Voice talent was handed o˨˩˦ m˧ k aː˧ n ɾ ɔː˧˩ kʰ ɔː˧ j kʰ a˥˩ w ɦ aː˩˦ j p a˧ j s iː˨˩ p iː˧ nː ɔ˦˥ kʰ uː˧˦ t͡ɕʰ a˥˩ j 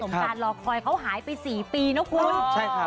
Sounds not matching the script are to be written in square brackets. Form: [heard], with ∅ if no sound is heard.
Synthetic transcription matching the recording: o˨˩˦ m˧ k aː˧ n [l] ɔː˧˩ kʰ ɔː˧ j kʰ [a˦˥] w ɦ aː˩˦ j p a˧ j s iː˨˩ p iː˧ [n] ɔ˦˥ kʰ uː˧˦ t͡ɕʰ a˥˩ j